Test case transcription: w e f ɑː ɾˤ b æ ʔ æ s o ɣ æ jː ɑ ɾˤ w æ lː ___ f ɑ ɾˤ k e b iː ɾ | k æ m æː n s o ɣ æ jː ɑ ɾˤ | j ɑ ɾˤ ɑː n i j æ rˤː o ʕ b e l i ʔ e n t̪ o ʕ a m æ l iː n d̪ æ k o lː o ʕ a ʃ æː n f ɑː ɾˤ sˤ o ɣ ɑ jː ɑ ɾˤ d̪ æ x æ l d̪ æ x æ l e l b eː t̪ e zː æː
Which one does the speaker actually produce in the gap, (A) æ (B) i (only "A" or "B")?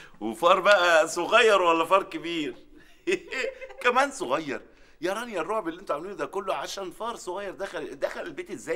A